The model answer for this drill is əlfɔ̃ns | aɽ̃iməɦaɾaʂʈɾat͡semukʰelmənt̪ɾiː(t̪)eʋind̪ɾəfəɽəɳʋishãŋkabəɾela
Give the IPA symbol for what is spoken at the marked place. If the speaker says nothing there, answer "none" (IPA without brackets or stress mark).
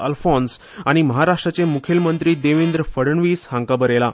d̪